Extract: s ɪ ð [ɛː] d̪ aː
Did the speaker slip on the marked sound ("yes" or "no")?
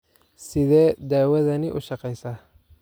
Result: no